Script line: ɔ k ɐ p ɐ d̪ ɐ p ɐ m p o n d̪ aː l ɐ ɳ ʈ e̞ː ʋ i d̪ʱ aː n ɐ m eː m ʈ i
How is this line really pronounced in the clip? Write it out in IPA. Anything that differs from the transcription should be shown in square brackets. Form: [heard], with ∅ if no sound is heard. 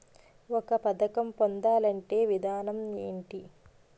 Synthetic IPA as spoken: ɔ k ɐ p ɐ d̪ ɐ [k] ɐ m p o n d̪ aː l ɐ ɳ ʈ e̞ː ʋ i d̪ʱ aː n ɐ m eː [ɳ] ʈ i